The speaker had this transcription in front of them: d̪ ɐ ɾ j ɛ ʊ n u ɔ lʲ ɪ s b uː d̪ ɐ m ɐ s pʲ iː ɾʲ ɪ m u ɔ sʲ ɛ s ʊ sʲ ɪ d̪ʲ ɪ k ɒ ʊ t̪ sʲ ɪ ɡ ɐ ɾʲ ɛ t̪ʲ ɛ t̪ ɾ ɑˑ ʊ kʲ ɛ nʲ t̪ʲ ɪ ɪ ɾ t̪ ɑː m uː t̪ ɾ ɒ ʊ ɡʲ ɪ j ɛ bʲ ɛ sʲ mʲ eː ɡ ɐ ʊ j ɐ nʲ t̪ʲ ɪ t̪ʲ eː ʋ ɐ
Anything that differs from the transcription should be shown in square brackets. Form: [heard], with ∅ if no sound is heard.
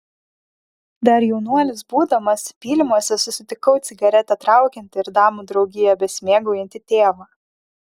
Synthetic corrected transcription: d̪ ɐ ɾ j ɛ ʊ n u ɔ lʲ ɪ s b uː d̪ ɐ m ɐ s pʲ iː [lʲ] ɪ m u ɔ sʲ ɛ s ʊ sʲ ɪ [t̪ʲ] ɪ k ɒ ʊ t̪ sʲ ɪ ɡ ɐ ɾʲ ɛ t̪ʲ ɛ t̪ ɾ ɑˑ ʊ kʲ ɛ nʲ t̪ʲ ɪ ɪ ɾ [d̪] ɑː m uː [d̪] ɾ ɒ ʊ ɡʲ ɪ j ɛ bʲ ɛ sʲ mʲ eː ɡ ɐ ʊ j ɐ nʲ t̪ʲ ɪ t̪ʲ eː ʋ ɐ